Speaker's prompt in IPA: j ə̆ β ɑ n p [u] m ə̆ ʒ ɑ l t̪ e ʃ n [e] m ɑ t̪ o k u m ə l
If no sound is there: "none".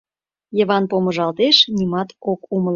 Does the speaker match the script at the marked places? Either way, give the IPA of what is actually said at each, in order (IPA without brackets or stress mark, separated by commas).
o, i